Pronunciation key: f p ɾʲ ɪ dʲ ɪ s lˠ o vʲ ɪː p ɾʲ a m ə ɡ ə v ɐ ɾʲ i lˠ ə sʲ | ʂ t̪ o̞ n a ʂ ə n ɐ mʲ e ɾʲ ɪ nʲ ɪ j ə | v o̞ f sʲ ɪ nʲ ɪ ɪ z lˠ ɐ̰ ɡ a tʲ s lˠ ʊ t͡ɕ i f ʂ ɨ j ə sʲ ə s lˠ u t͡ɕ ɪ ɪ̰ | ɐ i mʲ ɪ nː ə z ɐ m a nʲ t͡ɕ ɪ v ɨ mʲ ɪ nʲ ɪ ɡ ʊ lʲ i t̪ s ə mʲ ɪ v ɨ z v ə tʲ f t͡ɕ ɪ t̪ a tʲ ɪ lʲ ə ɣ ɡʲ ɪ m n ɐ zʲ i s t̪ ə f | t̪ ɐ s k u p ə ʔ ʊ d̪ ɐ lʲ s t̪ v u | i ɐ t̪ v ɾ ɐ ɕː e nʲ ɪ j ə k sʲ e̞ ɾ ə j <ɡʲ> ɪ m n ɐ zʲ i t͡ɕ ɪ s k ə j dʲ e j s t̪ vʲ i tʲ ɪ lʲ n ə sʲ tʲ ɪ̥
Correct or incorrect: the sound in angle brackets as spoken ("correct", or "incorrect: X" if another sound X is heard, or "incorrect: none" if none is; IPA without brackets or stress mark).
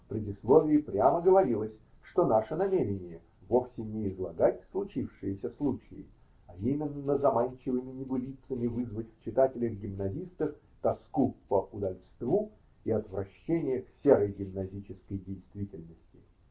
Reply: correct